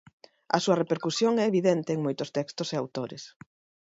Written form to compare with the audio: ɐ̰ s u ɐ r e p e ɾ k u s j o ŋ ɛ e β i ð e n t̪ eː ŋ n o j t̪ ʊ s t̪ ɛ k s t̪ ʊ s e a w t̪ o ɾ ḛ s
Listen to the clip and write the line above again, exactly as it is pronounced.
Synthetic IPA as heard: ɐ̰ s u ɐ r e p e ɾ k u s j o ŋ ɛ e β i ð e n t̪ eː ŋ m o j t̪ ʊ s t̪ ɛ k s t̪ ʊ s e a w t̪ o ɾ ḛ s